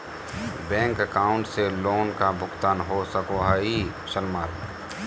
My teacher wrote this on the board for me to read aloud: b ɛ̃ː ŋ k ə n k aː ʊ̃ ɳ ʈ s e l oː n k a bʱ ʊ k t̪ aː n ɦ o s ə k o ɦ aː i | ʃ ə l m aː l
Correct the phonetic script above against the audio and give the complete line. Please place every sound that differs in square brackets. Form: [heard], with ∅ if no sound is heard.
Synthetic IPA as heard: b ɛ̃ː ŋ k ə [∅] k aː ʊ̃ ɳ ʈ s e l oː n k a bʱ ʊ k t̪ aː n ɦ o s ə k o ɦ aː i | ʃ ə l m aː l